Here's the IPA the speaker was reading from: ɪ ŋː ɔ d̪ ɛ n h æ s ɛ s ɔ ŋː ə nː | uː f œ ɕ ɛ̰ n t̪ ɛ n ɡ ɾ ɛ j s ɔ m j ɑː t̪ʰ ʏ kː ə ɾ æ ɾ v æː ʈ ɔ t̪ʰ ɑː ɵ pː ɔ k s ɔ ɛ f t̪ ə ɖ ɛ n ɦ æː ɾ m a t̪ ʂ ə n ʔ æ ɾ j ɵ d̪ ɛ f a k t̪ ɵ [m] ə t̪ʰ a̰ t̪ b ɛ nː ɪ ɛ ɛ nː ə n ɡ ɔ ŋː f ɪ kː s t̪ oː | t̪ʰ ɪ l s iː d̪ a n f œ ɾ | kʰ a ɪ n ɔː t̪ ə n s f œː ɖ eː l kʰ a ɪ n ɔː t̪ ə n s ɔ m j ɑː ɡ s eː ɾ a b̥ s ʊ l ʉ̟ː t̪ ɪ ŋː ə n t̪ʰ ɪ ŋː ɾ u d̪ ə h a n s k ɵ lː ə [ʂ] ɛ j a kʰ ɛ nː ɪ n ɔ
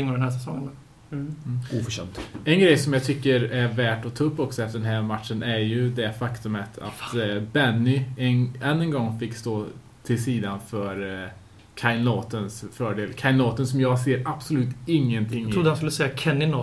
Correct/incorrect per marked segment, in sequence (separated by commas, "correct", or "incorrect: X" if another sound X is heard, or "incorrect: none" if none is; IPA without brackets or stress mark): correct, incorrect: s